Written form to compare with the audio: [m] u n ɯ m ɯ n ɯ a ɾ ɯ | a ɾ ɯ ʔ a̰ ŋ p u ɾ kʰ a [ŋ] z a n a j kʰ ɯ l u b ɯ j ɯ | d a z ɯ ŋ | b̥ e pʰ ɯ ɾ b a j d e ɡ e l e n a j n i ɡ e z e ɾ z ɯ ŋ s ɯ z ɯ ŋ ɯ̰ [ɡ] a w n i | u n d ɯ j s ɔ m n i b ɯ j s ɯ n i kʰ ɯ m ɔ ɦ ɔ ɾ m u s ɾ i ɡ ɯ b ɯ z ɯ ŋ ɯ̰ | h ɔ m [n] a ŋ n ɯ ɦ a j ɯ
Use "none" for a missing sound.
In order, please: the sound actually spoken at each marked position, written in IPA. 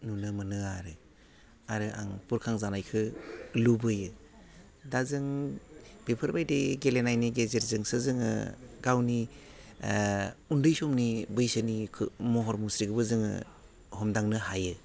n, ŋ, ɡ, d

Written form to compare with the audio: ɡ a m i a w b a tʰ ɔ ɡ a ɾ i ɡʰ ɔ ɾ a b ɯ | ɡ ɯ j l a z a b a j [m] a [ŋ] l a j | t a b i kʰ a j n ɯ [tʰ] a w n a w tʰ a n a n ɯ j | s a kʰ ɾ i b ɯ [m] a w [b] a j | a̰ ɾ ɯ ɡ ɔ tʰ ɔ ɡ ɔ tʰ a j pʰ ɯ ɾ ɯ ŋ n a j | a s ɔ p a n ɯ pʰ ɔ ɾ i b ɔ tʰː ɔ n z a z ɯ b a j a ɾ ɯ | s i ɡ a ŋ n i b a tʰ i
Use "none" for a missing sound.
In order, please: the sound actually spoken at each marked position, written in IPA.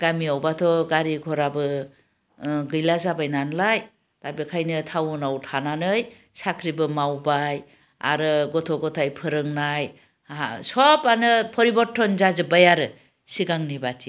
n, n, tʰ, m, b

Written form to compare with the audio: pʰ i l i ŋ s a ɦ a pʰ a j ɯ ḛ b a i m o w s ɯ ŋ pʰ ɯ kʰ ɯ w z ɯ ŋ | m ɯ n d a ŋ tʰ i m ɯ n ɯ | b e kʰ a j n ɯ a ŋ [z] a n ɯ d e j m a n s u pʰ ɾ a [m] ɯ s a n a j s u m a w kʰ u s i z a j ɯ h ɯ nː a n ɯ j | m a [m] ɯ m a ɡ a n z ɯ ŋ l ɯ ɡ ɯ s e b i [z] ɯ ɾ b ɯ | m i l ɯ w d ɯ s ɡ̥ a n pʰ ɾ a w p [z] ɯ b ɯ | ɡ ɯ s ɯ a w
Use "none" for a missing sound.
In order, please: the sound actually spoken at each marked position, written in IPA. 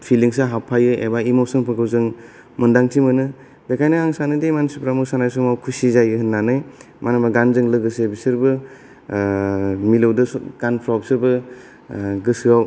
s, m, n, s, s

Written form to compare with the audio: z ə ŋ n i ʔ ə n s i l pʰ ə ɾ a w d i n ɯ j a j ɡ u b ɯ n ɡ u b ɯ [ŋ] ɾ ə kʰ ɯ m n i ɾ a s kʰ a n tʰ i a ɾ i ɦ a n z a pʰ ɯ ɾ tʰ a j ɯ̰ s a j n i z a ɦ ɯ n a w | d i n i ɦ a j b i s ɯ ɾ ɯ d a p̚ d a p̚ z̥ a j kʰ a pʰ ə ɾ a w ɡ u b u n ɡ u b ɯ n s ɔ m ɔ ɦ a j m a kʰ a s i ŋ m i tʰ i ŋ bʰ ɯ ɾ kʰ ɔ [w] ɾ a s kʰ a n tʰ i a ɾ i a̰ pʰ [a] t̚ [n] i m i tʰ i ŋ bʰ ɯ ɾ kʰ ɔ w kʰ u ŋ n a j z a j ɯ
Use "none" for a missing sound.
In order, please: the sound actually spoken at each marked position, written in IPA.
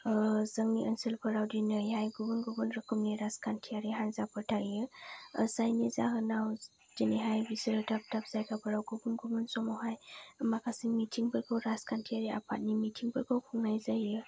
n, w, a, n

